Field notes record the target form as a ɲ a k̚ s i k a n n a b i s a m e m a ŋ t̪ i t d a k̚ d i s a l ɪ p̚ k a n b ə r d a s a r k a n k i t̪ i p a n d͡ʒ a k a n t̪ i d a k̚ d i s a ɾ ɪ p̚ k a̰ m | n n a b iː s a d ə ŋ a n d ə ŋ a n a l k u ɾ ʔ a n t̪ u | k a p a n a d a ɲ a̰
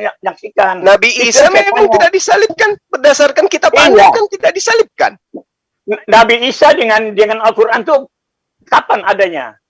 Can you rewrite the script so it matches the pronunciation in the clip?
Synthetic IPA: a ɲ a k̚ s i k a n n a b i s a m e m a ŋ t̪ i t d a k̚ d i s a l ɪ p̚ k a n b ə r d a s a r k a n k i t̪ a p a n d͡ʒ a k a n t̪ i d a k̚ d i s a l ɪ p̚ k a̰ n | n n a b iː s a d ə ŋ a n d ə ŋ a n a l k u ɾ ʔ a n t̪ u | k a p a n a d a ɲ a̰